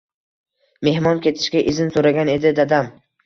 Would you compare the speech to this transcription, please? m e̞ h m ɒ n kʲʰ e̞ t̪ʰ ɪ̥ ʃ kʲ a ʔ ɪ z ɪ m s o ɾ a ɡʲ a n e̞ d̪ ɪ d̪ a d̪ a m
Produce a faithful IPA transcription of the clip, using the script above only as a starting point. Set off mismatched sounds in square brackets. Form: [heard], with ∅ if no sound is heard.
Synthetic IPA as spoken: m e̞ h m ɒ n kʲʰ e̞ t̪ʰ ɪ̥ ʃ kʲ a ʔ ɪ z ɪ [n] s o ɾ a ɡʲ a n e̞ d̪ ɪ d̪ a d̪ a m